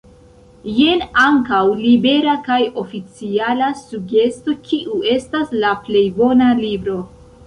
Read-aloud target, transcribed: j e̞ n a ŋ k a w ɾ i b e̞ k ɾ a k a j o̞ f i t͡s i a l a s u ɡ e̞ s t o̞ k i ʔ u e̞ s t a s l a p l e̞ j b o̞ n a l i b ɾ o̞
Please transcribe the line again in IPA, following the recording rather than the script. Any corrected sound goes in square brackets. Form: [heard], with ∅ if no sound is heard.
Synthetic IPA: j e̞ n a ŋ k a w [l] i b e̞ [∅] ɾ a k a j o̞ f i t͡s i a l a s u ɡ e̞ s t o̞ k i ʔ u e̞ s t a s l a p l e̞ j b o̞ n a l i b ɾ o̞